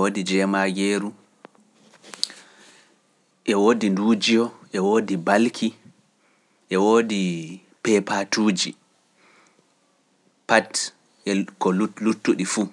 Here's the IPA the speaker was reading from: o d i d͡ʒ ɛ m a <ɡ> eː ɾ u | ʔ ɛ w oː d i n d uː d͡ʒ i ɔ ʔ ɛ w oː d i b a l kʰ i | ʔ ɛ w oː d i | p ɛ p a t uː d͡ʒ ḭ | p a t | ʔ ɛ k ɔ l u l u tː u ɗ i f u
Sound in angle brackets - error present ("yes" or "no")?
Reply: no